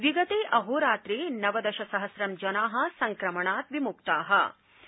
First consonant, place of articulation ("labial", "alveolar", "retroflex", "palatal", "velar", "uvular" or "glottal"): labial